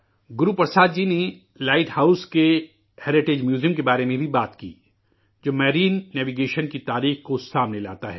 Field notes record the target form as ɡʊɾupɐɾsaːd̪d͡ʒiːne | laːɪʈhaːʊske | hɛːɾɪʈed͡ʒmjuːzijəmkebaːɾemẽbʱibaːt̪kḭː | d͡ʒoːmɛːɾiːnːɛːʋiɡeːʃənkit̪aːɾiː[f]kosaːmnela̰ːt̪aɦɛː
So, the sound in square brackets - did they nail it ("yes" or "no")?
no